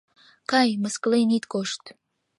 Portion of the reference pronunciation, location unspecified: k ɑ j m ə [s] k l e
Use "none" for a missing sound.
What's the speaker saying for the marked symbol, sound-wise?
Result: s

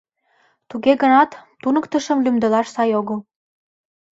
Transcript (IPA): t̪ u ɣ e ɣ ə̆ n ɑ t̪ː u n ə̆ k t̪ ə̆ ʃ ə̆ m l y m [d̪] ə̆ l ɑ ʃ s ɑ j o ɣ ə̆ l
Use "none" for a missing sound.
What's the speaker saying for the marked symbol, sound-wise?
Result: d̪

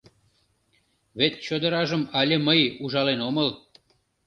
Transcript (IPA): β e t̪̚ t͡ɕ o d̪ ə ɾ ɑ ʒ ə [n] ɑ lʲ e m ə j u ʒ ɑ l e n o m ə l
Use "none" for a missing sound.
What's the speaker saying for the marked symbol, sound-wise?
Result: m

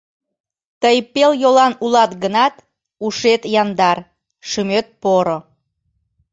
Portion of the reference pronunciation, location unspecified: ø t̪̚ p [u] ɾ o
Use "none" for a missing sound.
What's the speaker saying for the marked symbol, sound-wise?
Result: o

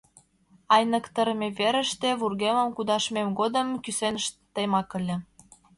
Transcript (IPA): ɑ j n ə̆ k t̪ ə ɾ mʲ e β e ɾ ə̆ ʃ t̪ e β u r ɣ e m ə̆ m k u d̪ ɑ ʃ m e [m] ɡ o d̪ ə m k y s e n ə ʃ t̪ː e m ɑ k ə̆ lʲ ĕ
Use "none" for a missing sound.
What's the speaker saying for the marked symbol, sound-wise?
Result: m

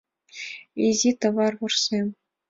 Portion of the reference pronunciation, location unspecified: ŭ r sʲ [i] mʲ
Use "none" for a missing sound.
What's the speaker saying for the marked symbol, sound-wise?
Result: e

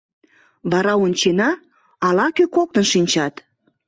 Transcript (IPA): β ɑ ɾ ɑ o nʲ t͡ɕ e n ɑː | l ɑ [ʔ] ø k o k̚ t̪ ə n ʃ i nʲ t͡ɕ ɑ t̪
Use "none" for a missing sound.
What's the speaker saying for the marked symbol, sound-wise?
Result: k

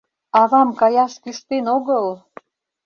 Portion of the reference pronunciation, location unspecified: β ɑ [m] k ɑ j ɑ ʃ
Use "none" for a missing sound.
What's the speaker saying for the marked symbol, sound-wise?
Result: m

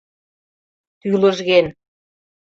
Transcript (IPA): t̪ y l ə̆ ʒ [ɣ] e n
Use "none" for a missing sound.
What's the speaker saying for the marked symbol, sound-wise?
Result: ɣ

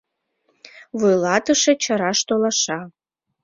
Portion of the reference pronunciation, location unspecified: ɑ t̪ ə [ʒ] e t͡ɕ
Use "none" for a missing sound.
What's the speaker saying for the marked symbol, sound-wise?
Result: ʃ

